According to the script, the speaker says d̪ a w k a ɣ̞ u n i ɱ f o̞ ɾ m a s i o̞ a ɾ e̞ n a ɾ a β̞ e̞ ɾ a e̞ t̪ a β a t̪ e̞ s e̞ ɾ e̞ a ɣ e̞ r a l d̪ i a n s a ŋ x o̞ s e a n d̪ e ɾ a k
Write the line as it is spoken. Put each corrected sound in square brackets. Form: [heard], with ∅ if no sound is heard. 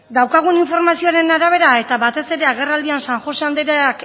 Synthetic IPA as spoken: d̪ a w k a ɣ̞ u n i ɱ f o̞ ɾ m a s i o̞ a ɾ e̞ n a ɾ a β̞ e̞ ɾ a e̞ t̪ a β a t̪ e̞ s e̞ ɾ e̞ a ɣ e̞ r a l d̪ i a n s a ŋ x o̞ s e a n d̪ e ɾ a k